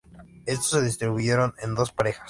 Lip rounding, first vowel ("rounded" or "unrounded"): unrounded